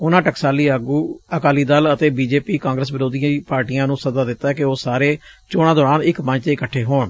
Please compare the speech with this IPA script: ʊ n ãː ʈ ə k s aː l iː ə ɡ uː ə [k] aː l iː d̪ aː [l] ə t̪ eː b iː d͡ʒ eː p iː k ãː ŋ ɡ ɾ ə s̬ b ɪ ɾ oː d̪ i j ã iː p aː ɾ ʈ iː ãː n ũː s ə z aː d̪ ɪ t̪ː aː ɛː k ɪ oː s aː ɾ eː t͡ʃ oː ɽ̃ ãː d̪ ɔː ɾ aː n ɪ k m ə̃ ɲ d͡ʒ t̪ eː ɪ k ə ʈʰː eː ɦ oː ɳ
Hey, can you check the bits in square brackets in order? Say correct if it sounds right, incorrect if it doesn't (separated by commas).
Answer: correct, correct